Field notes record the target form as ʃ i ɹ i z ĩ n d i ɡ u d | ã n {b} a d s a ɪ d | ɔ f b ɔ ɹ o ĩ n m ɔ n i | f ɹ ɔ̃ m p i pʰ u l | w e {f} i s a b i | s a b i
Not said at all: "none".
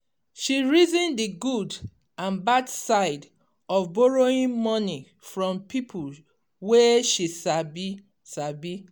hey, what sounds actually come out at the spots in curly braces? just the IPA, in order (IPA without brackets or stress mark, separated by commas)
b, ʃ